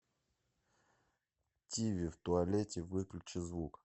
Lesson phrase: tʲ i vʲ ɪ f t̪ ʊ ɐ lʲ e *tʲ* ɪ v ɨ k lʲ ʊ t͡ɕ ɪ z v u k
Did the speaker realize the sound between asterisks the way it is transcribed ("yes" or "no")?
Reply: yes